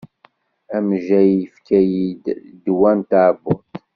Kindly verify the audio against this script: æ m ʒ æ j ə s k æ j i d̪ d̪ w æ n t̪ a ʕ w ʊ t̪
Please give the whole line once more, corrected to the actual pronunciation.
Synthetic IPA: æ m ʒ æ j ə f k æ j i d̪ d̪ w æ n t̪ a ʕ b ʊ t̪